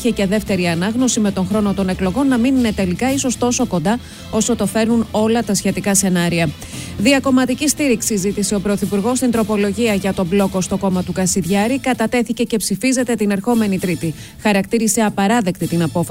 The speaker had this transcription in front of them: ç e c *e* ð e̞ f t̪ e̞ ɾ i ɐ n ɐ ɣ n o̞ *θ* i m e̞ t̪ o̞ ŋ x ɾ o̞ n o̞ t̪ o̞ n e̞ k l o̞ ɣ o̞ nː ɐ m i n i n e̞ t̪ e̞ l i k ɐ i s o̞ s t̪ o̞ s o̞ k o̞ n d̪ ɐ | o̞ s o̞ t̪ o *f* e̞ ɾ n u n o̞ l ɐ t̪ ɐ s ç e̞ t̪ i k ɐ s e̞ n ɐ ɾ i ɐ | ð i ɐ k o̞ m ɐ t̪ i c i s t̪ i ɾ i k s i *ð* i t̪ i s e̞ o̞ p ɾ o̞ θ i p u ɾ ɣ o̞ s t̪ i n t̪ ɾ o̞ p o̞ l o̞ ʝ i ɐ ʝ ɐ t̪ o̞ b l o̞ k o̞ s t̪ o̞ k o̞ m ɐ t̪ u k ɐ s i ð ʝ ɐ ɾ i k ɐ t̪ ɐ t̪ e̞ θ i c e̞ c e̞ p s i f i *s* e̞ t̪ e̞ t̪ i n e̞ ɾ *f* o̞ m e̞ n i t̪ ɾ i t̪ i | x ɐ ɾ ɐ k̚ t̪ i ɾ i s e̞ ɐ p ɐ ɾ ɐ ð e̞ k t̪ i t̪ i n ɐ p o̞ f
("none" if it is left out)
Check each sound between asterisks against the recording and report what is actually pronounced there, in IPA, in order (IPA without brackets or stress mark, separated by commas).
e, s, f, z, z, x